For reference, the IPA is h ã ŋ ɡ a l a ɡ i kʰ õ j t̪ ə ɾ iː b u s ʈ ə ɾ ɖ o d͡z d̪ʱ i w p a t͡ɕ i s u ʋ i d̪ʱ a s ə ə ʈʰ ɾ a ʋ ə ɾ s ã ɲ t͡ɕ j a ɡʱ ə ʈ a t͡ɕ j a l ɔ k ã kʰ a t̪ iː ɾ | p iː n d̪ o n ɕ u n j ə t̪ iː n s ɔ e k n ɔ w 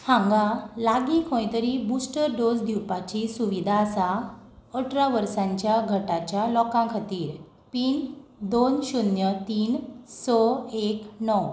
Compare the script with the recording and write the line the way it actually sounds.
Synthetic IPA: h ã ŋ ɡ a l a ɡ i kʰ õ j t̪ ə ɾ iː b u s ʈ ə ɾ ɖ o d͡z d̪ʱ i w p a t͡ɕ i s u ʋ i d̪ʱ a s a ə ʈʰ ɾ a ʋ ə ɾ s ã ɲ t͡ɕ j a ɡʱ ə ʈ a t͡ɕ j a l ɔ k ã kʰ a t̪ iː ɾ | p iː n d̪ o n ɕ u n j ə t̪ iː n s ɔ e k n ɔ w